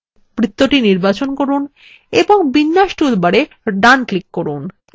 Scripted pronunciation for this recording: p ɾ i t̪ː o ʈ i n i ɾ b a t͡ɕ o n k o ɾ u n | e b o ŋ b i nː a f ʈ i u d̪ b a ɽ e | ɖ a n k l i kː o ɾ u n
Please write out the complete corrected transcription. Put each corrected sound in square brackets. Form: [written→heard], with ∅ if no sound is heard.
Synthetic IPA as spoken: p ɾ i t̪ː o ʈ i n i ɾ b a t͡ɕ o n k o ɾ u n | e b o ŋ b i nː a [f→ʃ] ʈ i u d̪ b a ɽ e | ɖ a n k l i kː o ɾ u n